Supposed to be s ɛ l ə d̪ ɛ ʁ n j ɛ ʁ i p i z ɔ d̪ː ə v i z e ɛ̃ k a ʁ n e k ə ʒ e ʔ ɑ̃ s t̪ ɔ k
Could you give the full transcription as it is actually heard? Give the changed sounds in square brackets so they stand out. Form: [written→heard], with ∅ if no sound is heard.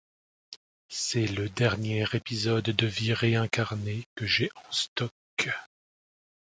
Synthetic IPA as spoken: s ɛ l ə d̪ ɛ ʁ n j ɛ ʁ [i→e] p i z ɔ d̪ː ə v i [z→ʁ] e ɛ̃ k a ʁ n e k ə ʒ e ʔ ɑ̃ s t̪ ɔ k